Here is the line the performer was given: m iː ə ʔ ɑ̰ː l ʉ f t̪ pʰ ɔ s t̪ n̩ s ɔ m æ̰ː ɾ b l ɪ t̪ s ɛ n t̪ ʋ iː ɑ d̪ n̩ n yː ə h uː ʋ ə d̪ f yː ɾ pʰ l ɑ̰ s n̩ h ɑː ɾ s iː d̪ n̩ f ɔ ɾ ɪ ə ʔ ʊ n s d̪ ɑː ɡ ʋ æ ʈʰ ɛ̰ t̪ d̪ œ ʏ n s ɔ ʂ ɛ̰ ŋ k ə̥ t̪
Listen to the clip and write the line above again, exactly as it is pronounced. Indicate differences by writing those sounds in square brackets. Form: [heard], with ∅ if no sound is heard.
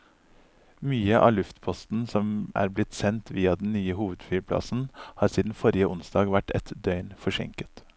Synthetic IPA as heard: m [yː] ə ʔ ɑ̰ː l ʉ f t̪ pʰ ɔ s t̪ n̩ s ɔ m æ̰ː ɾ b l ɪ t̪ s ɛ n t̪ ʋ iː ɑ d̪ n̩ n yː ə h uː ʋ ə d̪ f yː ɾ pʰ l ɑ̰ s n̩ h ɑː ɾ s iː d̪ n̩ f ɔ ɾ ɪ ə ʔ ʊ n s d̪ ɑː ɡ ʋ æ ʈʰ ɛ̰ t̪ d̪ œ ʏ n [f] ɔ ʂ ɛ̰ ŋ k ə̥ t̪